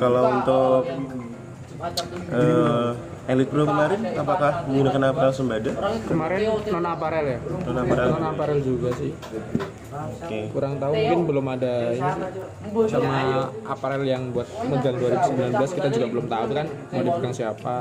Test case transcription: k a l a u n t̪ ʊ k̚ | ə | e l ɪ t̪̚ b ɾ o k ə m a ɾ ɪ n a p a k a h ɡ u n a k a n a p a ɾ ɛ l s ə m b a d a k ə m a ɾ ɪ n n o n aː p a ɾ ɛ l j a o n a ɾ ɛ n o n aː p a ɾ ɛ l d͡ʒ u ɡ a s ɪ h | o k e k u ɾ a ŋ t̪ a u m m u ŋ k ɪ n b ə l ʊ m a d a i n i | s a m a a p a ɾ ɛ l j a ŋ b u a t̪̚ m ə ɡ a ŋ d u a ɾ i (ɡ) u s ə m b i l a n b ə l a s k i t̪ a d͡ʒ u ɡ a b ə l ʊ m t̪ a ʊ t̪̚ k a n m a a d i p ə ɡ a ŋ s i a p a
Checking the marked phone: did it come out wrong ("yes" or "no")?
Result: no